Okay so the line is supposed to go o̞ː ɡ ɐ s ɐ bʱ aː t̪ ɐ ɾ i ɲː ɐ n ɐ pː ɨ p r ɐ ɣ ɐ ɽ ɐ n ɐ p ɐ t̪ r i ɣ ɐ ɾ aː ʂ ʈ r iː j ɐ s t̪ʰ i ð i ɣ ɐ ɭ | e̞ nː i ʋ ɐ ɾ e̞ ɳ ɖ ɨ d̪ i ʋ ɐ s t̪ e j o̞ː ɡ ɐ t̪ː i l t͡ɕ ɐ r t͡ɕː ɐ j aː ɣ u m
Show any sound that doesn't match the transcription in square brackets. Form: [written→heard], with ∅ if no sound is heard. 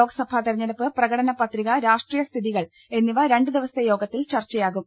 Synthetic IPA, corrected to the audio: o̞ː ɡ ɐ s ɐ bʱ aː t̪ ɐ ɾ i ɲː ɐ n ɐ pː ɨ p r ɐ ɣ ɐ ɽ ɐ n ɐ p ɐ t̪ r i ɣ ɐ ɾ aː ʂ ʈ r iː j ɐ s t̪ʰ i ð i ɣ ɐ ɭ | e̞ nː i ʋ ɐ ɾ e̞ ɳ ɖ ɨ d̪ i ʋ ɐ s t̪ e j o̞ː ɡ ɐ t̪ː i l t͡ɕ ɐ r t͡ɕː ɐ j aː ɣ u m

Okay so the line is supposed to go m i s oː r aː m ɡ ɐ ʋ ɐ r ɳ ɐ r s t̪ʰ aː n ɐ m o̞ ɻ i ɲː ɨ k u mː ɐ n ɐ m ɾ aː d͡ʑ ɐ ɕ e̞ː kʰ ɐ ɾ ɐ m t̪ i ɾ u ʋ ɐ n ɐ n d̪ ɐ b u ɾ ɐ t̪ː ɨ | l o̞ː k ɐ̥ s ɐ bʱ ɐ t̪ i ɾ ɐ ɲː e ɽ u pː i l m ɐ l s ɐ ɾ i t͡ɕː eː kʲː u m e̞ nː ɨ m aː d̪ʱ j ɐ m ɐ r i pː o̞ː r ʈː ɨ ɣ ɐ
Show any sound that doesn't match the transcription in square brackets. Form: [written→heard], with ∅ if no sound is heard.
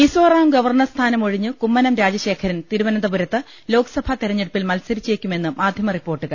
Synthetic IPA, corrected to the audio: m i s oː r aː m ɡ ɐ ʋ ɐ r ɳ ɐ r s t̪ʰ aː n ɐ m o̞ ɻ i ɲː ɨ k u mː ɐ n ɐ m ɾ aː d͡ʑ ɐ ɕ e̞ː kʰ ɐ ɾ ɐ [m→n] t̪ i ɾ u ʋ ɐ n ɐ n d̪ ɐ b u ɾ ɐ t̪ː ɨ | l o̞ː k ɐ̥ s ɐ bʱ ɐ t̪ i ɾ ɐ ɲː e ɽ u pː i l m ɐ l s ɐ ɾ i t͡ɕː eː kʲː u m e̞ nː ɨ m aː d̪ʱ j ɐ m ɐ r i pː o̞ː r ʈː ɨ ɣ ɐ

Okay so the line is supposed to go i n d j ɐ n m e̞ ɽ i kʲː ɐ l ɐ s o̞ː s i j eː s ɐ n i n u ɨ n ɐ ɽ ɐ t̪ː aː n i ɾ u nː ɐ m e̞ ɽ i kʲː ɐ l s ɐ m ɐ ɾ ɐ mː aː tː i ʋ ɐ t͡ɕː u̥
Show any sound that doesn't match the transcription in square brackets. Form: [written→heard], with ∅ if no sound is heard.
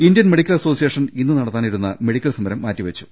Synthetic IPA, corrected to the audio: i n d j ɐ n m e̞ ɽ i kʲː ɐ l ɐ s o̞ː s i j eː [s→ʂ] ɐ n i [n→nː] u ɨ n ɐ ɽ ɐ t̪ː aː n i ɾ u nː ɐ m e̞ ɽ i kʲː ɐ l s ɐ m ɐ ɾ ɐ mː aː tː i ʋ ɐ t͡ɕː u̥

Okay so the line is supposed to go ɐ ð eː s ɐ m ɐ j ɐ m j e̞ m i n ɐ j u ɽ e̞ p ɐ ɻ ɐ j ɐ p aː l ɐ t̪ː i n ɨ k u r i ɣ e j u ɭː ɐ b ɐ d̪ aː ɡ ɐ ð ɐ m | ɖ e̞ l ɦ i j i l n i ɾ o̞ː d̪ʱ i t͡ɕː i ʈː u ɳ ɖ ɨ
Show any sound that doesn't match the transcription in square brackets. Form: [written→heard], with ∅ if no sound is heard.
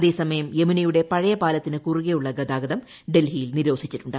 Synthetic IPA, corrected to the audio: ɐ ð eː s ɐ m ɐ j ɐ m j e̞ m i n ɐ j u ɽ e̞ p ɐ ɻ ɐ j ɐ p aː l ɐ t̪ː i n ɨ k u r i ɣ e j u ɭː ɐ [b→ɡ] ɐ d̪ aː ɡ ɐ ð ɐ m | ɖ e̞ l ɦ i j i l n i ɾ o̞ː d̪ʱ i t͡ɕː i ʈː u ɳ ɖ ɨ

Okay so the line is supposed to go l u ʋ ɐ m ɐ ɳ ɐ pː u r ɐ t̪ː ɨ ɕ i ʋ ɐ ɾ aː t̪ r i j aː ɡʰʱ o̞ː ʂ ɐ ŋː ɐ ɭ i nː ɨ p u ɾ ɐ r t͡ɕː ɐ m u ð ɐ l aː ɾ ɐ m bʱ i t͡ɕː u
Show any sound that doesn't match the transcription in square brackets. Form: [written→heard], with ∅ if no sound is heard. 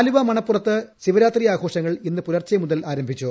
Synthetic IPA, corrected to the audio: l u ʋ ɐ m ɐ ɳ ɐ pː u r ɐ t̪ː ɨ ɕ i ʋ ɐ ɾ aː t̪ r i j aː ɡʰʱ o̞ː ʂ ɐ ŋː ɐ ɭ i nː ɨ p u ɾ ɐ r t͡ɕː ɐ m u ð ɐ l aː ɾ ɐ m bʱ i t͡ɕː u

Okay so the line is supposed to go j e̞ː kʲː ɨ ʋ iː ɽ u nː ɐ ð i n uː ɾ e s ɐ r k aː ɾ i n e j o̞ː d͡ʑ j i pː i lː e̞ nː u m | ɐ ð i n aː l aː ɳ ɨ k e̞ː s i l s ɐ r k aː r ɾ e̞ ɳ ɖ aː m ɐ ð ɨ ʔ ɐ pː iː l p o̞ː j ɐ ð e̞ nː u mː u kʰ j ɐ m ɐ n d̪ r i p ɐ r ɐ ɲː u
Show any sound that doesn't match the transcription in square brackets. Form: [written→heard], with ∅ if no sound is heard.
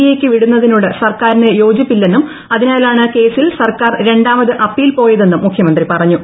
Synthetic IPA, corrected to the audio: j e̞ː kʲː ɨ ʋ [iː→i] ɽ u nː ɐ ð i n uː [ɾ→ɽ] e s ɐ r k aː ɾ i n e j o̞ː d͡ʑ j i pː i lː e̞ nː u m | ɐ ð i n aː l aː ɳ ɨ k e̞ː s i l s ɐ r k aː r ɾ e̞ ɳ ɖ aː m ɐ ð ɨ ʔ ɐ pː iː l p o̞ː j ɐ ð e̞ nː u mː u kʰ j ɐ m ɐ n d̪ r i p ɐ r ɐ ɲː u

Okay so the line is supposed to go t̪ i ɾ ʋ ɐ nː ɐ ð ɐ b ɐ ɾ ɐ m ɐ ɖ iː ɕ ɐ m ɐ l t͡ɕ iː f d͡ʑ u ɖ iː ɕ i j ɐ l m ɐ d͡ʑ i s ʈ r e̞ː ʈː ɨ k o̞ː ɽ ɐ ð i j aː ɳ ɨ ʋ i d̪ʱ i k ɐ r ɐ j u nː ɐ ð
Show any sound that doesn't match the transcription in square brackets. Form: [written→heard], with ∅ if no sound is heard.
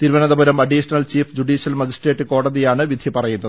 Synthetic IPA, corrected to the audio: t̪ i ɾ ʋ ɐ [nː→n] ɐ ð ɐ b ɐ ɾ ɐ m ɐ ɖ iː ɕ ɐ [m→n] ɐ l t͡ɕ iː f d͡ʑ u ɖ iː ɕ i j ɐ l m ɐ d͡ʑ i s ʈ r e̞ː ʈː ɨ k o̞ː ɽ ɐ ð i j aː ɳ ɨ ʋ i d̪ʱ i [k→p] ɐ r ɐ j u nː ɐ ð

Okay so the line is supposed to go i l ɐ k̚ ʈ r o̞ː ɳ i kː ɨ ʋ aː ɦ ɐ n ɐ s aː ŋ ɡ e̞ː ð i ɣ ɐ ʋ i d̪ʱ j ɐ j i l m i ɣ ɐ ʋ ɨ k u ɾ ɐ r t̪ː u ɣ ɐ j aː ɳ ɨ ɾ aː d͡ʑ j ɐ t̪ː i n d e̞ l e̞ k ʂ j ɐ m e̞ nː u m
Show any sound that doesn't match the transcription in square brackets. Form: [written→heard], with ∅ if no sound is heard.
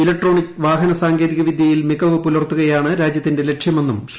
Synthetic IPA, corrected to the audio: i l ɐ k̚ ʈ r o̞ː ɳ i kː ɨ ʋ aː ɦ ɐ n ɐ s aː ŋ ɡ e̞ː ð i ɣ ɐ ʋ i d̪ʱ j ɐ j i l m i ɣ ɐ ʋ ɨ [k→p] u [ɾ→l] ɐ r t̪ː u ɣ ɐ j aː ɳ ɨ ɾ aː d͡ʑ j ɐ t̪ː i n d e̞ l e̞ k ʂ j ɐ m e̞ nː u m

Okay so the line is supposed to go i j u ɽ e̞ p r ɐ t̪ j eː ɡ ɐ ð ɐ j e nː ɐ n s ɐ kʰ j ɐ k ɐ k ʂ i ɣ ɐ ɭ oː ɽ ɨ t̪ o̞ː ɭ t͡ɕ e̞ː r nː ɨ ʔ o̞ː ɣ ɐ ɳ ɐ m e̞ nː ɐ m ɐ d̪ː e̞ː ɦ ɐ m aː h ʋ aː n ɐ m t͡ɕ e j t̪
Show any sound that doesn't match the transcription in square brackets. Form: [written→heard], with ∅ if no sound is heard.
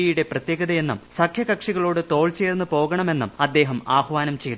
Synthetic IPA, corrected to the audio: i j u ɽ e̞ p r ɐ t̪ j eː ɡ ɐ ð ɐ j e nː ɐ [n→m] s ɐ kʰ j ɐ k ɐ k ʂ i ɣ ɐ ɭ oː ɽ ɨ t̪ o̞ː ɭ t͡ɕ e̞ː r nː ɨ [ʔ→p] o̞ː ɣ ɐ ɳ ɐ m e̞ nː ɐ m ɐ d̪ː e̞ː ɦ ɐ m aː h ʋ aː n ɐ m t͡ɕ e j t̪

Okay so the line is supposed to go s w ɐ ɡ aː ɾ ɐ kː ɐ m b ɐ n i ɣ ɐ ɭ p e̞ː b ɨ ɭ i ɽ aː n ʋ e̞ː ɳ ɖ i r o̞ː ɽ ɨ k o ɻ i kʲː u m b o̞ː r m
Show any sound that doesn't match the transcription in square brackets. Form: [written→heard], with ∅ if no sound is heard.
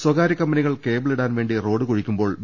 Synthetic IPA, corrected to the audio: s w ɐ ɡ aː ɾ ɐ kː ɐ m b ɐ n i ɣ ɐ ɭ [p→k] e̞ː b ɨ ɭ i ɽ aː n ʋ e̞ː ɳ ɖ i r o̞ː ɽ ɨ k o ɻ i kʲː u m b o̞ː [r→ɭ] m

